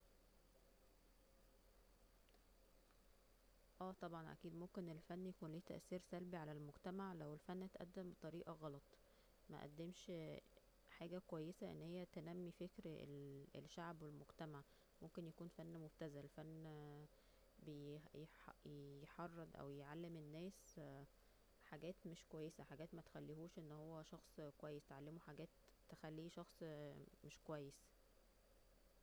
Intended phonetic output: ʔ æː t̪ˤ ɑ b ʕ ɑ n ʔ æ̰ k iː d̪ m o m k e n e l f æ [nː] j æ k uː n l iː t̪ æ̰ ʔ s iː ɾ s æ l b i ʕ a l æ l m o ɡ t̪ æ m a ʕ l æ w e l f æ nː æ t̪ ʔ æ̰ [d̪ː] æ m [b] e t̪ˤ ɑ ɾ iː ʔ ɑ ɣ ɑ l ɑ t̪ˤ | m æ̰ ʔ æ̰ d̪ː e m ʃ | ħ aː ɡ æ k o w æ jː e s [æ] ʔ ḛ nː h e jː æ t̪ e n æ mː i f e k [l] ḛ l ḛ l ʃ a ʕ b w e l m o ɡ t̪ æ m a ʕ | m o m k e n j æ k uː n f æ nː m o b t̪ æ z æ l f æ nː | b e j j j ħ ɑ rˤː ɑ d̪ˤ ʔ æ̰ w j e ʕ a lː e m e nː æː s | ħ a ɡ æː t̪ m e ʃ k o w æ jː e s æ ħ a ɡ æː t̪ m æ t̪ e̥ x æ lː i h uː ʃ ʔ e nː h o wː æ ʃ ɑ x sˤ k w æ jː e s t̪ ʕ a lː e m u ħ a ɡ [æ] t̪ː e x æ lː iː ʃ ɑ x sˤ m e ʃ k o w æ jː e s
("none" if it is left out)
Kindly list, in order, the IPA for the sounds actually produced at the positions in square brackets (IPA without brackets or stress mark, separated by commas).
nː, d̪ː, b, æ, ɾ, æː